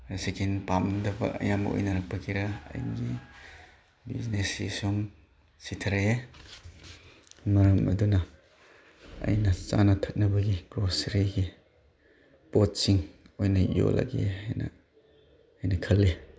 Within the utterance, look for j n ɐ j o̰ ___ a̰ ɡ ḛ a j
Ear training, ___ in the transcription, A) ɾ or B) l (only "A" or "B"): B